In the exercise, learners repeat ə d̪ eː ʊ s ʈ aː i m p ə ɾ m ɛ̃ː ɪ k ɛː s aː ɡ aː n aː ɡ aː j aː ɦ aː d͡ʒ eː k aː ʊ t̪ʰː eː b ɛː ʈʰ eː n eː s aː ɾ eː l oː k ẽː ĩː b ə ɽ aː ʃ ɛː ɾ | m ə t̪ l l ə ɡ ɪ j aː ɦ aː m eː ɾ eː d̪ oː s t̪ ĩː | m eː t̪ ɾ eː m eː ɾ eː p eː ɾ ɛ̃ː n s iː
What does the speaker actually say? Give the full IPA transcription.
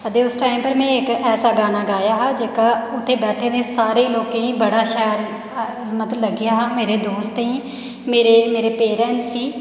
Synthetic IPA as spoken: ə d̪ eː ʊ s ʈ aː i m p ə ɾ m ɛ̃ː ɪ k ɛː s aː ɡ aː n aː ɡ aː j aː ɦ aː d͡ʒ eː k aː ʊ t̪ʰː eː b ɛː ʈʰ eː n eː s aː ɾ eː l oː k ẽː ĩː b ə ɽ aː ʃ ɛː ɾ | m ə t̪ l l ə ɡ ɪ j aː ɦ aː m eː ɾ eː d̪ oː s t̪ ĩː | m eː ɾ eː m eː ɾ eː p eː ɾ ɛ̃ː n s iː